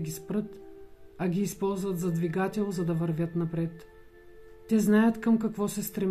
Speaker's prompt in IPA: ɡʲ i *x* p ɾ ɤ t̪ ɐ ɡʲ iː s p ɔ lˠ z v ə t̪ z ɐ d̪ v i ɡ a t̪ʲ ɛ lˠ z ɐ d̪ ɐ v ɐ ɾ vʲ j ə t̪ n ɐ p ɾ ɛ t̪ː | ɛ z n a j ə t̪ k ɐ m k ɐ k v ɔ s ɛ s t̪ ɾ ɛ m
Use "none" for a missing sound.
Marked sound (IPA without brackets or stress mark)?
s